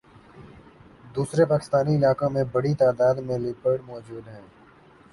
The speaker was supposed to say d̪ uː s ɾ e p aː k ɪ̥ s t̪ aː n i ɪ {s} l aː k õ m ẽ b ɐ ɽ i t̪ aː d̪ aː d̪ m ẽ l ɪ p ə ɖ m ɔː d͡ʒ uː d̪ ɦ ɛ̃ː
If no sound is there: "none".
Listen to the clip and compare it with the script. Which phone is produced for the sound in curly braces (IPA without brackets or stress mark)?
none